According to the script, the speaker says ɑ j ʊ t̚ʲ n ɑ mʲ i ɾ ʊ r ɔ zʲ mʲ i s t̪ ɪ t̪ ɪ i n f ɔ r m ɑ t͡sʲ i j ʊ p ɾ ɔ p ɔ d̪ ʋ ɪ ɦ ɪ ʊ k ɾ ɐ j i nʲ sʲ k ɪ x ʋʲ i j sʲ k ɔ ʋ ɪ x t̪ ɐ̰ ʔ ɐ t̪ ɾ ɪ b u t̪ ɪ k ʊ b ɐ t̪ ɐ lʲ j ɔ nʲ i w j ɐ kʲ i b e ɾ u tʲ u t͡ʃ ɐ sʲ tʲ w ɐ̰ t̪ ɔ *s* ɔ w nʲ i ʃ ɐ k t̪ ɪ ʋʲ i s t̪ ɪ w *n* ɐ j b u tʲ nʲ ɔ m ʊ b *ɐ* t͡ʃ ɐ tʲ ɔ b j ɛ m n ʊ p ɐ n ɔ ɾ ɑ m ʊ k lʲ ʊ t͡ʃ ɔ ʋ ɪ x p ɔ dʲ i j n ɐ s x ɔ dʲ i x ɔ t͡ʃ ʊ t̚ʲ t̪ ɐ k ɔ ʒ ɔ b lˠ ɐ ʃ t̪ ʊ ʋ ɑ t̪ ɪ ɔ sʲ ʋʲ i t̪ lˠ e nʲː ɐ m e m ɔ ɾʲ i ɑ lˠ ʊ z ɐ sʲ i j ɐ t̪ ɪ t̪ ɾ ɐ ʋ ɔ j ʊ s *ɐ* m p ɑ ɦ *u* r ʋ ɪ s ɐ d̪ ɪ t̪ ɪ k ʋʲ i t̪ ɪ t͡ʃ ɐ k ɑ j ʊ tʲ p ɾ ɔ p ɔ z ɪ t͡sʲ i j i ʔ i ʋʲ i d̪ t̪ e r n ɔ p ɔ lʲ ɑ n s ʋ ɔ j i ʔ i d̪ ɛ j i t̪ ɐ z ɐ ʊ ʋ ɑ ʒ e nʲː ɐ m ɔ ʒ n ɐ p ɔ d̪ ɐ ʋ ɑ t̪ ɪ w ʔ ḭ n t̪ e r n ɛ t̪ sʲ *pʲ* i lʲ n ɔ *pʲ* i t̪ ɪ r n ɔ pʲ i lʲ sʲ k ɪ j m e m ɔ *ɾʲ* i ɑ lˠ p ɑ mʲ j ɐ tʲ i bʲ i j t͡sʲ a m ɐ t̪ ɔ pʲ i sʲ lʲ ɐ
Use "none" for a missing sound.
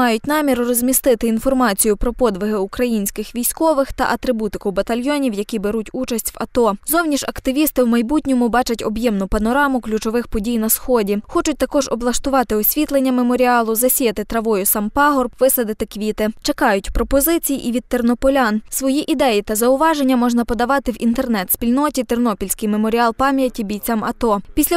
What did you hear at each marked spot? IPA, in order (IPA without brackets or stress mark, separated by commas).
z, m, ɑ, ɑ, ɔ, pʲ, tʲ, ɾʲ